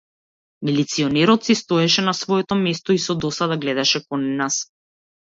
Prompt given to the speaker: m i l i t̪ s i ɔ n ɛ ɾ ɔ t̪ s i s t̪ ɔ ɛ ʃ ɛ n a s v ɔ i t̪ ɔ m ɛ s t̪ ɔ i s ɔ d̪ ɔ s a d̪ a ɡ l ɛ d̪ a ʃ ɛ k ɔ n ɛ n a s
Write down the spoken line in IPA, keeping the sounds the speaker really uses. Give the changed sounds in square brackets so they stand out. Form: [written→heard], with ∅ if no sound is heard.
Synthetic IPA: m i l i t̪ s i ɔ n ɛ ɾ ɔ t̪ s i s t̪ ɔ ɛ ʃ ɛ n a s v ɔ [i→ɛ] t̪ ɔ m ɛ s t̪ ɔ i s ɔ d̪ ɔ s a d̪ a ɡ l ɛ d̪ a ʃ ɛ k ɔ n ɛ n a s